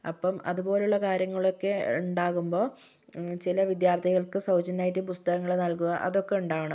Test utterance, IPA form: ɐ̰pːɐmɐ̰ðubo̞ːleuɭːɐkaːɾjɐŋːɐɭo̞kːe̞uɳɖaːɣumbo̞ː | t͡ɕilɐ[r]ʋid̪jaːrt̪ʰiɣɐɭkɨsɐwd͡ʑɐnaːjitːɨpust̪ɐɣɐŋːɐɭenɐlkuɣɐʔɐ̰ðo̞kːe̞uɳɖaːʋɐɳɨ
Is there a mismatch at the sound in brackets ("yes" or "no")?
yes